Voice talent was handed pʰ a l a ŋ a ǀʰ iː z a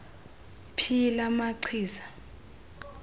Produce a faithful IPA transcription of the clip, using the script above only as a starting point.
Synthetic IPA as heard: pʰ i l a m a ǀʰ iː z a